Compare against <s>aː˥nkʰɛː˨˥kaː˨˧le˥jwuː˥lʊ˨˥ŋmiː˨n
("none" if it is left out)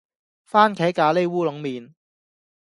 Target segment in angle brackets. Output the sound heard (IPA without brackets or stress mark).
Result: f